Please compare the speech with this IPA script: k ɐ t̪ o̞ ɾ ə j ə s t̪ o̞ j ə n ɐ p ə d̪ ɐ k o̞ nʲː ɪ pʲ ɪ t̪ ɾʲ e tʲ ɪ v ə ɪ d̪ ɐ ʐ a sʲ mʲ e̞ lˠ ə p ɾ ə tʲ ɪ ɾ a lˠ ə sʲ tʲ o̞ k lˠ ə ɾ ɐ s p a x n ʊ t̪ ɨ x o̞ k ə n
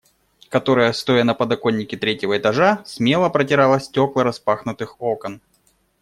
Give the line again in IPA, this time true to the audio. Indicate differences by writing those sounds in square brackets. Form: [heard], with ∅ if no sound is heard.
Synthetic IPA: k ɐ t̪ o̞ ɾ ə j ə s t̪ o̞ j ə n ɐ p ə d̪ ɐ k o̞ nʲː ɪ [kʲ] ɪ t̪ ɾʲ e tʲ ɪ v ə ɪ [t̪] ɐ ʐ a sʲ mʲ e̞ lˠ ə p ɾ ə tʲ ɪ ɾ a lˠ ə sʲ tʲ o̞ k lˠ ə ɾ ɐ s p a x n ʊ t̪ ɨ x o̞ k ə n

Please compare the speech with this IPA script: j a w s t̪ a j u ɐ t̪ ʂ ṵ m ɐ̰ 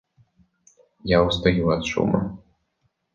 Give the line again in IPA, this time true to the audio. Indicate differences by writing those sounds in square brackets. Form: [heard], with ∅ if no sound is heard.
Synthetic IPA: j a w s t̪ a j u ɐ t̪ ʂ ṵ m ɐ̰

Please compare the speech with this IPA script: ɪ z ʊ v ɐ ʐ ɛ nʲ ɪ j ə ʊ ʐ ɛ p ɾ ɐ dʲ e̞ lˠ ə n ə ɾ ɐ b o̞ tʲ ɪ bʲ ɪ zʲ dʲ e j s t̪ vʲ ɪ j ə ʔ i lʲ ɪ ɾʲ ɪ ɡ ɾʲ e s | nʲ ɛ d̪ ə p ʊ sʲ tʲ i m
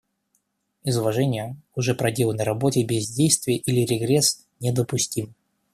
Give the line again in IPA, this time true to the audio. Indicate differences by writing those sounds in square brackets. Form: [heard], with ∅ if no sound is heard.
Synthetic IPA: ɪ z ʊ v ɐ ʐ ɛ nʲ ɪ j ə ʊ ʐ ɛ p ɾ ɐ dʲ e̞ lˠ ə n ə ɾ ɐ b o̞ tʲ ɪ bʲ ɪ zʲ dʲ e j s t̪ vʲ ɪ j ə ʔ i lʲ ɪ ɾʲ ɪ ɡ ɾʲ e s | nʲ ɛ d̪ ə p ʊ sʲ tʲ i m

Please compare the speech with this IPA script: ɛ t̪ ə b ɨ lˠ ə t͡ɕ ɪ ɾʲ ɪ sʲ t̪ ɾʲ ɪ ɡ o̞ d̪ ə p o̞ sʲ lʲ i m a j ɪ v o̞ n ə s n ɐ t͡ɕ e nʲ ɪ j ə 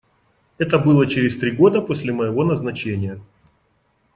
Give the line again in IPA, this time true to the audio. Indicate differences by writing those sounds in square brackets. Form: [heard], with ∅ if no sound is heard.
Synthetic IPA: ɛ t̪ ə b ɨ lˠ ə t͡ɕ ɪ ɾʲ ɪ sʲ t̪ ɾʲ [i] ɡ o̞ d̪ ə p o̞ sʲ lʲ [ɪ] m [ə] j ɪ v o̞ n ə [z] n ɐ t͡ɕ e nʲ ɪ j ə

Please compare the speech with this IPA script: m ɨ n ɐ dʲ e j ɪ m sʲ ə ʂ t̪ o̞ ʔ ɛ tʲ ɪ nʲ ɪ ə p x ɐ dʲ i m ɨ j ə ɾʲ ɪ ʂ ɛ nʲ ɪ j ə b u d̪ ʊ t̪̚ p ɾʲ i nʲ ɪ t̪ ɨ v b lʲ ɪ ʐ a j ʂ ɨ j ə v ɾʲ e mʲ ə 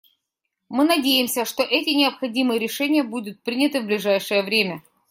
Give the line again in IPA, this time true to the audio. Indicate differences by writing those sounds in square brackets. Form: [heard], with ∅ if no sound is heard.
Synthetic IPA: m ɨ n ɐ dʲ e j ɪ m sʲ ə ʂ t̪ o̞ ʔ ɛ tʲ ɪ nʲ ɪ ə p x ɐ dʲ i m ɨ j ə ɾʲ ɪ ʂ ɛ nʲ ɪ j ə b u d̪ ʊ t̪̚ p ɾʲ i nʲ ɪ t̪ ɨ v b lʲ ɪ ʐ a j ʂ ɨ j ə v ɾʲ e mʲ ə

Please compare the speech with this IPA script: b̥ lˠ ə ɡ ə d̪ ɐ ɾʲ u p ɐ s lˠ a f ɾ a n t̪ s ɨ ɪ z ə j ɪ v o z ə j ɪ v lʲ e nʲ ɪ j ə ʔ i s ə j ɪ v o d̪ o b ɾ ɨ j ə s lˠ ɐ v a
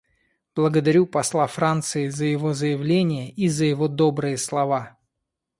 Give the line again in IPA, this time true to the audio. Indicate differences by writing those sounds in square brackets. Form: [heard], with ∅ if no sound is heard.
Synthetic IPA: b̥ lˠ ə ɡ ə d̪ ɐ ɾʲ u p ɐ s lˠ a f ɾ a n t̪ s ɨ ɪ z ə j ɪ v o z ə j ɪ v lʲ e nʲ ɪ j ə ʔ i [z] ə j ɪ v o d̪ o b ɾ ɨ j ə s lˠ ɐ v a

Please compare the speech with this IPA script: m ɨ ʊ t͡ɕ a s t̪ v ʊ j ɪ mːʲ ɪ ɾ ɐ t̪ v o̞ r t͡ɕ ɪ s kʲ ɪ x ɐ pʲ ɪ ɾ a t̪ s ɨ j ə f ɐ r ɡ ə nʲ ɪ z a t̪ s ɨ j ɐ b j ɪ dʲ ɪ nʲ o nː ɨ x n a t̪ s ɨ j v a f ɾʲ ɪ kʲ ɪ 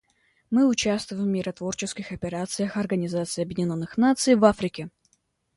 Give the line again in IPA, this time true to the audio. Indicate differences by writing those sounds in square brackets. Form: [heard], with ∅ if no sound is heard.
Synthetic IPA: m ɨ ʊ t͡ɕ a s t̪ v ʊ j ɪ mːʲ ɪ ɾ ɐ t̪ v o̞ r t͡ɕ ɪ s kʲ ɪ x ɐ pʲ ɪ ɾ a t̪ s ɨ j ə [x] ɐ r ɡ ə nʲ ɪ z a t̪ s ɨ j ɐ b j ɪ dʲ ɪ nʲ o nː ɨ x n a t̪ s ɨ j v a f ɾʲ ɪ kʲ ɪ

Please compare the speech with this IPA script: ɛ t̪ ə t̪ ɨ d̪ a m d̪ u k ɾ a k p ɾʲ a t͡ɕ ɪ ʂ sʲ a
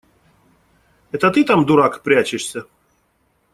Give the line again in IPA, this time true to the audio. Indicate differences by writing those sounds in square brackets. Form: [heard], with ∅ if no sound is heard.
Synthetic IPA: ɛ t̪ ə t̪ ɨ [t̪] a m d̪ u [∅] ɾ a k p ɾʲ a t͡ɕ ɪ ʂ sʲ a

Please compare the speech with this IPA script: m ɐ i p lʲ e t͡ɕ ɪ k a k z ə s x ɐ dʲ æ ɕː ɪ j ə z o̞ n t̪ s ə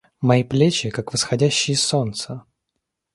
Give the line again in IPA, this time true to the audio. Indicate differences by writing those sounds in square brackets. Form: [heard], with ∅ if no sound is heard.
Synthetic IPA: m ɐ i p lʲ e t͡ɕ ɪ k a k [v] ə s x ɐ dʲ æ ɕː ɪ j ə [s] o̞ n t̪ s ə

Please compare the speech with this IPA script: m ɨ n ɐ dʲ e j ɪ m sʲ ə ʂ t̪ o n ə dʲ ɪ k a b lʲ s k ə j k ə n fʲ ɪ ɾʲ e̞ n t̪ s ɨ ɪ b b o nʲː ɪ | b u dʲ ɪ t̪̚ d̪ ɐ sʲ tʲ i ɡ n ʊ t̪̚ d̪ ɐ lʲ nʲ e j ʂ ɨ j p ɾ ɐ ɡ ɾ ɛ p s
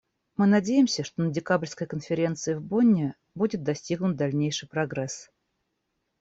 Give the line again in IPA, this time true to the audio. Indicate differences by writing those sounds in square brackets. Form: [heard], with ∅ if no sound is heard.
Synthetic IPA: m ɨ n ɐ dʲ e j ɪ m sʲ ə ʂ t̪ o n ə dʲ ɪ k a b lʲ s k ə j k ə n fʲ ɪ ɾʲ e̞ n t̪ s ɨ ɪ [v] b o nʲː ɪ | b u dʲ ɪ t̪̚ d̪ ɐ sʲ tʲ i ɡ n ʊ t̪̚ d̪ ɐ lʲ nʲ e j ʂ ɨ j p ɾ ɐ ɡ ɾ ɛ [∅] s

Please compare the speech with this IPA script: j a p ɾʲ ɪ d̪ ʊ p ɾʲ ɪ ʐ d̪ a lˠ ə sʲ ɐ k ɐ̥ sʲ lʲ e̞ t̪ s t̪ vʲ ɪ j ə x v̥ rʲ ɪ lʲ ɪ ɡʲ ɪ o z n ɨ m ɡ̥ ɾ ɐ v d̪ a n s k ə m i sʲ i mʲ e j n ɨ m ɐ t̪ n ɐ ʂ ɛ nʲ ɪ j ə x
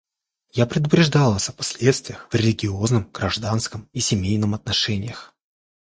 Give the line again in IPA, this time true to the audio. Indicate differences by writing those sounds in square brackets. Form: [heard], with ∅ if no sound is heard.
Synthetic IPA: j a p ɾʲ ɪ d̪ ʊ p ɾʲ ɪ ʐ d̪ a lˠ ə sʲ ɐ [p] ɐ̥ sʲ lʲ e̞ t̪ s t̪ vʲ ɪ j ə x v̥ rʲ ɪ lʲ ɪ ɡʲ ɪ o z n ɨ m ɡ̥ ɾ ɐ [ʐ] d̪ a n s k ə m i sʲ [ɪ] mʲ e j n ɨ m ɐ t̪ n ɐ ʂ ɛ nʲ ɪ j ə x

